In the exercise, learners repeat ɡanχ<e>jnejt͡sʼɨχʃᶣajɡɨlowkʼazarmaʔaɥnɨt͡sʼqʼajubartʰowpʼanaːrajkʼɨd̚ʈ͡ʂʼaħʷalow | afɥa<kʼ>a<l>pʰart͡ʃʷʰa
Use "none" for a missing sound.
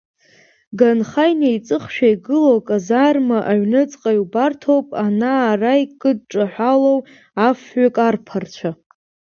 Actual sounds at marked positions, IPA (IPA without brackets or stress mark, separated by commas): a, kʼ, r